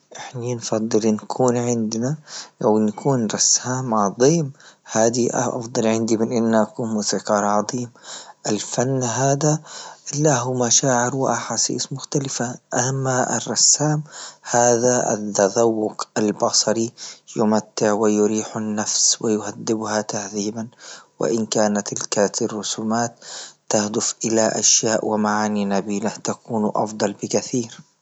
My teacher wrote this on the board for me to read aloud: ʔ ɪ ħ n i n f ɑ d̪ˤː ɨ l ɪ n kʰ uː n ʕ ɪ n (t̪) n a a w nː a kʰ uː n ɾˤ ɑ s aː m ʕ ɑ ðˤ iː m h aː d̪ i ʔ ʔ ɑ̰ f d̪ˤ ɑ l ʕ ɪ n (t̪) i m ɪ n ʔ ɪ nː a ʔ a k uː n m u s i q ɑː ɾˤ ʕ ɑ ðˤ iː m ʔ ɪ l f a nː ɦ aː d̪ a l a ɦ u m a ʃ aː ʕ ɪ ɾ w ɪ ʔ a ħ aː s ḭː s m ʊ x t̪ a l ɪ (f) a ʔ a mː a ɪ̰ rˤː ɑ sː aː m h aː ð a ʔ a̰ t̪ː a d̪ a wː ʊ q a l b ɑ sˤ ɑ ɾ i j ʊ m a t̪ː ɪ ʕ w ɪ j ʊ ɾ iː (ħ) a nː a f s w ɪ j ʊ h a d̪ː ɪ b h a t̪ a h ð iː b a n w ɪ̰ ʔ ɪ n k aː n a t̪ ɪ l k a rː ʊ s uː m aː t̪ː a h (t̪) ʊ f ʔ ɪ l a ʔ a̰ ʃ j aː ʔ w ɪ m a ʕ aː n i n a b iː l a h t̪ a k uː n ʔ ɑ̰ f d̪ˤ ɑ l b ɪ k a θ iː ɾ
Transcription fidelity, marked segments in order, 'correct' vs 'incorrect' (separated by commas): incorrect, incorrect, correct, correct, incorrect